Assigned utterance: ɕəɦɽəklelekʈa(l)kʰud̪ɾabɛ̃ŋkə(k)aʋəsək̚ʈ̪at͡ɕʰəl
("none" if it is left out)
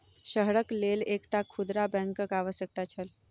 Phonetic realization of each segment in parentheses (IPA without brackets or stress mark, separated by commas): none, k